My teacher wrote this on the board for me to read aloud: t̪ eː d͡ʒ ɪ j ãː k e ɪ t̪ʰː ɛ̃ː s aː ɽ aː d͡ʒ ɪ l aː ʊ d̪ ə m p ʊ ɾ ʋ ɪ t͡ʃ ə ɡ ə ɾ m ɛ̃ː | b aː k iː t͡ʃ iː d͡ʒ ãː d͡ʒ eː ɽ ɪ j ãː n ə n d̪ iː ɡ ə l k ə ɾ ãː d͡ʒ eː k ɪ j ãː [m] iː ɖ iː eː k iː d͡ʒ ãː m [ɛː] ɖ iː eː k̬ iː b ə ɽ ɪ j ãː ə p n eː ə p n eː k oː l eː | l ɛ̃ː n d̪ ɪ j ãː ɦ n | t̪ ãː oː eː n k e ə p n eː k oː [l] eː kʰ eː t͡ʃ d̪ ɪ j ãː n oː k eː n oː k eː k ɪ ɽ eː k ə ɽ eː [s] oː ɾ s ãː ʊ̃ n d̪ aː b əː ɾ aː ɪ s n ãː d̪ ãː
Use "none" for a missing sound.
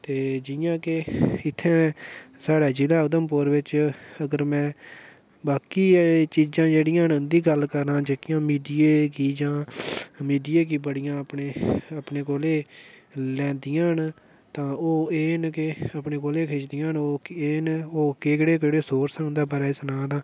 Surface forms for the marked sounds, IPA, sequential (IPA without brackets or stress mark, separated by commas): m, iː, l, s